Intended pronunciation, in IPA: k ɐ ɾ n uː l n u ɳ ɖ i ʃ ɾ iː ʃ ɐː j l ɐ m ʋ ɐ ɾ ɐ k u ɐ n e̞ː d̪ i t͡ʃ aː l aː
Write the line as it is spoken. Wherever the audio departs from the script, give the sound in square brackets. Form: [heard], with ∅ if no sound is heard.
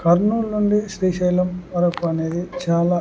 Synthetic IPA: k ɐ ɾ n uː l n u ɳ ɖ i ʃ ɾ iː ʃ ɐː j l ɐ m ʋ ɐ ɾ ɐ k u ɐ n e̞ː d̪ i t͡ʃ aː l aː